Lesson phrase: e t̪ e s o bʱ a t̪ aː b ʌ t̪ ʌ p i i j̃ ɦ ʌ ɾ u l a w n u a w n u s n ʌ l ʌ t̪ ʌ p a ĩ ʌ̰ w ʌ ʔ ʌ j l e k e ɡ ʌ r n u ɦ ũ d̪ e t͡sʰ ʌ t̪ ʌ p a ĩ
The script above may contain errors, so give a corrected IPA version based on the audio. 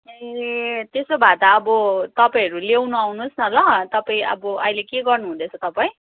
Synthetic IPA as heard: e t̪ e s o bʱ a t̪ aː b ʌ t̪ ʌ p a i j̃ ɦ ʌ ɾ u l e w n u a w n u s n ʌ l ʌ t̪ ʌ p a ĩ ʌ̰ b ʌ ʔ ʌ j l e k e ɡ ʌ r n u ɦ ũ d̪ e t͡sʰ ʌ t̪ ʌ p a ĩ